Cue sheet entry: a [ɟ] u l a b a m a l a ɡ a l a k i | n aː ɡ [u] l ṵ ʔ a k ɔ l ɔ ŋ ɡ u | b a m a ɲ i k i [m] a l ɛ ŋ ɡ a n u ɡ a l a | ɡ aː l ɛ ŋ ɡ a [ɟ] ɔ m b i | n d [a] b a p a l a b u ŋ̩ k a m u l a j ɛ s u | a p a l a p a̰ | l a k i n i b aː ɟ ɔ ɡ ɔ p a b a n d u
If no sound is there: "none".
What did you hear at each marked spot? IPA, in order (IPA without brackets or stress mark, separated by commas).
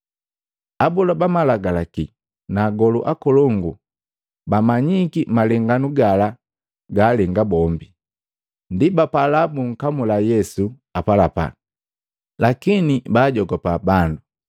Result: b, ɔ, m, b, i